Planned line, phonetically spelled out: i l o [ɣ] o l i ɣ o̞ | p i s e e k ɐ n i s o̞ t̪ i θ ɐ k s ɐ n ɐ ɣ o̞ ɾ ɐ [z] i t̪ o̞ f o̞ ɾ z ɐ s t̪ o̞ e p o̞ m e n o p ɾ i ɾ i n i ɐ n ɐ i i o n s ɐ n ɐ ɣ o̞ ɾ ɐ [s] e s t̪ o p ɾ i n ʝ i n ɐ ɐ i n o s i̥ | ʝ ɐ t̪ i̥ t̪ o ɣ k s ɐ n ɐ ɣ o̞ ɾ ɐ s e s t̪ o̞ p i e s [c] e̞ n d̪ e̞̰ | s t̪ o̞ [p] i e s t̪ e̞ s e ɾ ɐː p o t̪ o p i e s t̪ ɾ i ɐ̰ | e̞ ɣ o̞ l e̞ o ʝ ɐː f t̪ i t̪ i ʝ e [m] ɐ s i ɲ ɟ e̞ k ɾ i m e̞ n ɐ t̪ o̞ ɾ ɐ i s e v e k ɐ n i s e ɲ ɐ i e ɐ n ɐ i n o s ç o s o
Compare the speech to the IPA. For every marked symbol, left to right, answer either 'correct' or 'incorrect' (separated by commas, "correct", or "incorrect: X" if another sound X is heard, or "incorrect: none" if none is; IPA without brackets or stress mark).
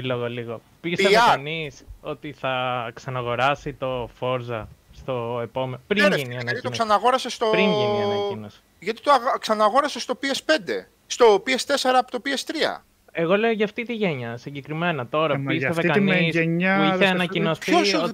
correct, incorrect: s, correct, incorrect: p, correct, incorrect: ɲ